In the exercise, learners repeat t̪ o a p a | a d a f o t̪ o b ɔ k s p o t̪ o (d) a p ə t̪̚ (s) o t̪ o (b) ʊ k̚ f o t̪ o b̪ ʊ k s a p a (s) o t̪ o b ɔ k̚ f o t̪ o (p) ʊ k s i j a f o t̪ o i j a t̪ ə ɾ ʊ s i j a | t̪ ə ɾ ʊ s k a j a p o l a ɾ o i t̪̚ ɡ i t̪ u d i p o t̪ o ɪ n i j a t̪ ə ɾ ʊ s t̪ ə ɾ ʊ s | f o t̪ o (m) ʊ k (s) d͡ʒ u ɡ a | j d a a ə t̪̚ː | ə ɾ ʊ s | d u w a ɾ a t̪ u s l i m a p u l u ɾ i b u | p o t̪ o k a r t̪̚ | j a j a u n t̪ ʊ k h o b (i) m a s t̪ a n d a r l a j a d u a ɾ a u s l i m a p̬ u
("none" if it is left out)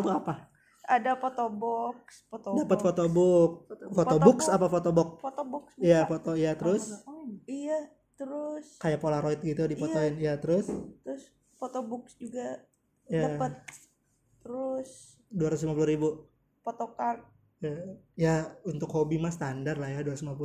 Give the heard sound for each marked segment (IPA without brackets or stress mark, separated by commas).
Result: d, f, b, f, b, b, s, i